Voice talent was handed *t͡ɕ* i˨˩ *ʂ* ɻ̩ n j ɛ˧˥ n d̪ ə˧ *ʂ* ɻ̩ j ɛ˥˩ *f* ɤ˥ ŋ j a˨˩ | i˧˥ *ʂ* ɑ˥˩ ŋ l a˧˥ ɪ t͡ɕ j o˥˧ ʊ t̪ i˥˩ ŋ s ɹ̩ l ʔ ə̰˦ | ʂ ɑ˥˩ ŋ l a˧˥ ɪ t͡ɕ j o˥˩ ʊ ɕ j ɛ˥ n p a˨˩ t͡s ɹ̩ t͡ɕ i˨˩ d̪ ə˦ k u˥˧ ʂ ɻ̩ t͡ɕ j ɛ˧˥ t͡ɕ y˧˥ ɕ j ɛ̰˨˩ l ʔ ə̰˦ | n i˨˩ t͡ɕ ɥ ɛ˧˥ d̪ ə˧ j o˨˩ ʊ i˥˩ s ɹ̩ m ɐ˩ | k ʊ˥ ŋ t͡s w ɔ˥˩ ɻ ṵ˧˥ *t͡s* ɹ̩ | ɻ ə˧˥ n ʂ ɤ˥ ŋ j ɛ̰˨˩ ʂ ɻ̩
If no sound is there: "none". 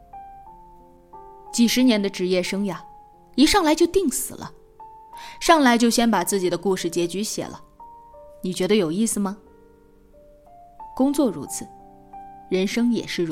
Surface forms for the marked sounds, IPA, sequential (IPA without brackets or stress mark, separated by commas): t͡ɕ, ʂ, ʈ͡ʂ, ʂ, ʂ, t͡sʰ